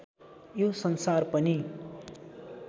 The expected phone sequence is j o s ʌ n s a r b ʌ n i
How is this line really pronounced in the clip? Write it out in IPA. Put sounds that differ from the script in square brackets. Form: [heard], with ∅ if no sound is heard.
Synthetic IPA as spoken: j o s ʌ n s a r [p] ʌ n i